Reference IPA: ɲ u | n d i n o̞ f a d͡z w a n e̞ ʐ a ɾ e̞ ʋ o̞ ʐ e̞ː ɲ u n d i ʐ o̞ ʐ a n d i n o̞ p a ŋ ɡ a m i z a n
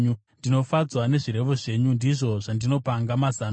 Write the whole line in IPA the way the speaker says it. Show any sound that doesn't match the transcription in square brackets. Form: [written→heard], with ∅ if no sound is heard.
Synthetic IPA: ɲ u | n d i n o̞ f a d͡z w a n e̞ ʐ [a→i] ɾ e̞ ʋ o̞ ʐ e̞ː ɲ u n d i ʐ o̞ ʐ a n d i n o̞ p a ŋ ɡ a m [i→a] z a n